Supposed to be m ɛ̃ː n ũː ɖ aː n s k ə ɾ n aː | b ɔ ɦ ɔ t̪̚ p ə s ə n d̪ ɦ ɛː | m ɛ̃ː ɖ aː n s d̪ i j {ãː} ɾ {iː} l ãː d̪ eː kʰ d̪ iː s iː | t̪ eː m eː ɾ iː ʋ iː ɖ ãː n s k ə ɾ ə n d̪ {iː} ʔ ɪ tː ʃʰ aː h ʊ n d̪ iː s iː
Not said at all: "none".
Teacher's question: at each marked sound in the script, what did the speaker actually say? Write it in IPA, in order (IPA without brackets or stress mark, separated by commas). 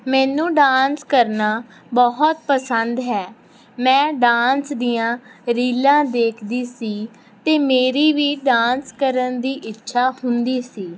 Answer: ãː, iː, iː